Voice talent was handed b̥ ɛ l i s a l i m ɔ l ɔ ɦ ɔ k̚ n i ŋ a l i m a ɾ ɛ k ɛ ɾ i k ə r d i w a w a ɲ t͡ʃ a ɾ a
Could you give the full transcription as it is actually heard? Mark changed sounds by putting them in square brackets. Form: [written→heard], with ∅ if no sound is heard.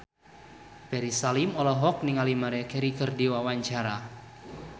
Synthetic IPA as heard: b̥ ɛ [l→ɾ] i s a l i m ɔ l ɔ ɦ ɔ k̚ n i ŋ a l i m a ɾ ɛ k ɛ ɾ i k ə r d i w a w a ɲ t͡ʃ a ɾ a